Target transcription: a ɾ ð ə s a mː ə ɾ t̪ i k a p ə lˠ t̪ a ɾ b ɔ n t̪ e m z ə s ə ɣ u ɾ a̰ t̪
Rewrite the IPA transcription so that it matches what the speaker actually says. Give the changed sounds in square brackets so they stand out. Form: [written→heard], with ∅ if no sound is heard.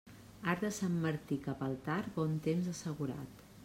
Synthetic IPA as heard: a ɾ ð ə s a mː ə ɾ t̪ i k a p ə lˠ t̪ a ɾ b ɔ n t̪ e m z ə s ə ɣ u ɾ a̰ t̪